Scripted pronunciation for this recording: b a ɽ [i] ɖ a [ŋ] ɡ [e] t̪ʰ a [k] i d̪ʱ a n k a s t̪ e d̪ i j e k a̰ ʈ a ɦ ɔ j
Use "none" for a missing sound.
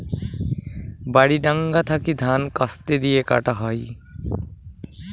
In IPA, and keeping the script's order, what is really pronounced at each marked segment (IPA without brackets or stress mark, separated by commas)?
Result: i, ŋ, a, k